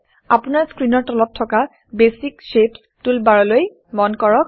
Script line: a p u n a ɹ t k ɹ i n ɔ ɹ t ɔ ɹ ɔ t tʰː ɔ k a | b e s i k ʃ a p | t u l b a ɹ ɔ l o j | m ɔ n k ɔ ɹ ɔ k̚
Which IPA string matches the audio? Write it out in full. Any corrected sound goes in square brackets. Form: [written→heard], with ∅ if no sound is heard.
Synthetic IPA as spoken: a p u n a ɹ [t→s] k ɹ i n ɔ ɹ t ɔ [ɹ→l] ɔ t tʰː ɔ k a | b e s i k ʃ [a→e] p | t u l b a ɹ ɔ l o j | m ɔ n k ɔ ɹ ɔ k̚